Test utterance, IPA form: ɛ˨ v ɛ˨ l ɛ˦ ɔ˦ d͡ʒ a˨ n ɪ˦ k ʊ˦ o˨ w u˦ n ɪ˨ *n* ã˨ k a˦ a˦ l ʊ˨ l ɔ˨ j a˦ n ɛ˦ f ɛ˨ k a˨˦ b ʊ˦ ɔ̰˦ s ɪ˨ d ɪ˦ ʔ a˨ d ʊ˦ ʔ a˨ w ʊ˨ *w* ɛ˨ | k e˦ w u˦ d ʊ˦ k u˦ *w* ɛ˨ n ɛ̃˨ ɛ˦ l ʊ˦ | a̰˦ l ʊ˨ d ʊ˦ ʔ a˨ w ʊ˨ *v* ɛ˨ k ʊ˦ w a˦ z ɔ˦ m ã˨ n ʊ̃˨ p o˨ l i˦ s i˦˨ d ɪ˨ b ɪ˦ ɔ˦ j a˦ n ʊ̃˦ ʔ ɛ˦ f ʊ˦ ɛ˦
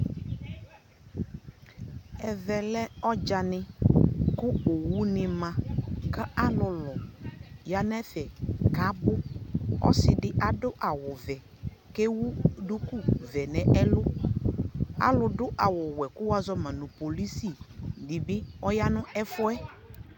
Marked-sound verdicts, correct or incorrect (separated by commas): incorrect, incorrect, incorrect, incorrect